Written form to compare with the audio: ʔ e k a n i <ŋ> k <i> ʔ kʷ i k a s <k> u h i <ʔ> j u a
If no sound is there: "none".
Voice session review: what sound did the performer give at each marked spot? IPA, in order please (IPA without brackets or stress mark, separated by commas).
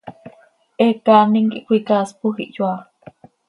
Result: ŋ, i, p, ʔ